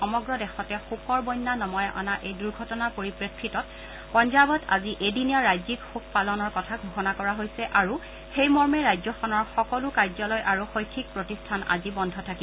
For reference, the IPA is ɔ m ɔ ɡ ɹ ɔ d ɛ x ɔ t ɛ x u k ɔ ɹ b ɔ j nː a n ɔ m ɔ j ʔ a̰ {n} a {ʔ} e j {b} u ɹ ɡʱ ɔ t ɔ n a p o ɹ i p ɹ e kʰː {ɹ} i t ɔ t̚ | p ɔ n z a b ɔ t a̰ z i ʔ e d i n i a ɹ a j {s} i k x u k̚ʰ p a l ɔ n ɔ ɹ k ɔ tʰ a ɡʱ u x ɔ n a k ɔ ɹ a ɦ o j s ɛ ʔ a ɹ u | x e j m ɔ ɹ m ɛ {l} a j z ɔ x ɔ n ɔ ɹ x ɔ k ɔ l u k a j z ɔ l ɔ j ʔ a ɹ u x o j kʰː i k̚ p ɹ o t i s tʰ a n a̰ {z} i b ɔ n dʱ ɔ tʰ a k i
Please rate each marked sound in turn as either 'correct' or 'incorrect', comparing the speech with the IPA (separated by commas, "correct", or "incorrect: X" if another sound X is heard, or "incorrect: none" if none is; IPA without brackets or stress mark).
correct, correct, incorrect: d, correct, incorrect: z, incorrect: ɹ, correct